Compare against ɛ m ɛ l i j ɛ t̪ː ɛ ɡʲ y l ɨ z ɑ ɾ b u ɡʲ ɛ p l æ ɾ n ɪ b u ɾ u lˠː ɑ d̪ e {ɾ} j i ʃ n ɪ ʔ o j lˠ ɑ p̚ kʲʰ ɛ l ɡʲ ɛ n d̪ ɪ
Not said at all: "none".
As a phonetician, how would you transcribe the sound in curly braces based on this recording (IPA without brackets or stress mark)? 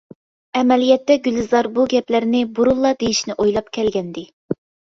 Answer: none